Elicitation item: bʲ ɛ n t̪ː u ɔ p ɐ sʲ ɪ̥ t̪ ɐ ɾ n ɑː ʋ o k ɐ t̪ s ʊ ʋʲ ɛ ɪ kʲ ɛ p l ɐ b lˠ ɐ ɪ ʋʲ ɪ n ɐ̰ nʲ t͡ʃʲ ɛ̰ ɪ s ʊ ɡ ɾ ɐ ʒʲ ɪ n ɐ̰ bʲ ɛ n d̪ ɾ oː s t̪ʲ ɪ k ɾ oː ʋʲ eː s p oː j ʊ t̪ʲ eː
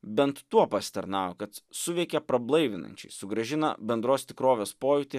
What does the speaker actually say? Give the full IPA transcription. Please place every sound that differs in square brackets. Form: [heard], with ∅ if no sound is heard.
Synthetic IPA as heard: bʲ ɛ n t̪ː u ɔ p ɐ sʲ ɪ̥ t̪ ɐ ɾ n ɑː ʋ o k ɐ t̪ s ʊ ʋʲ ɛ ɪ kʲ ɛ p [ɾ] ɐ b lˠ ɐ ɪ ʋʲ ɪ n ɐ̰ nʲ t͡ʃʲ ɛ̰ ɪ s ʊ ɡ ɾ ɐ ʒʲ ɪ n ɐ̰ bʲ ɛ n d̪ ɾ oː s t̪ʲ ɪ k ɾ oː ʋʲ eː s p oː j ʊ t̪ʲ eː